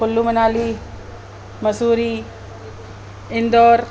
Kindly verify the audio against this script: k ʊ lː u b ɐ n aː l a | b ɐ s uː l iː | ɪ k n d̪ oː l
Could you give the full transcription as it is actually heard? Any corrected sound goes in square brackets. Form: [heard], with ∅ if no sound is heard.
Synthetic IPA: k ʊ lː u [m] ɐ n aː l [i] | [m] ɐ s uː [ɾ] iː | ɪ [∅] n d̪ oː [ɾ]